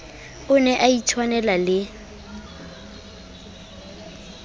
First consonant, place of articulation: alveolar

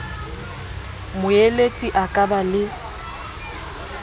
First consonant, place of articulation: labial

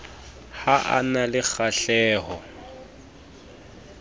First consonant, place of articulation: glottal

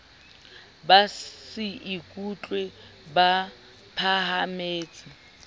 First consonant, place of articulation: labial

